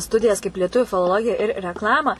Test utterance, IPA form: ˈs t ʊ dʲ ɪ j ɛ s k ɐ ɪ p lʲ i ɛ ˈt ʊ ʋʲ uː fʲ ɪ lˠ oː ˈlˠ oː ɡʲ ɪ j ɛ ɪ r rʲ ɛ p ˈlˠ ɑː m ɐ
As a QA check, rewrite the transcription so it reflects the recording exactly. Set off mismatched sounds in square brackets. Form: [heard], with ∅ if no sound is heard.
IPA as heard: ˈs t ʊ dʲ ɪ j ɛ s k ɐ ɪ p lʲ i ɛ ˈt ʊ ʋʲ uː fʲ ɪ lˠ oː ˈlˠ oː ɡʲ ɪ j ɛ ɪ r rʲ ɛ [k] ˈlˠ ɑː m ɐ